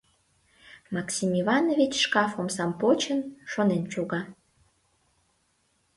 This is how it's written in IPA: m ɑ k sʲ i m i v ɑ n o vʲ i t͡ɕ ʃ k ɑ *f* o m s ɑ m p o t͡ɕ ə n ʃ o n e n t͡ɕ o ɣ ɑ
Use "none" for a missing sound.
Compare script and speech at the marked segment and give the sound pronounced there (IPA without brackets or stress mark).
f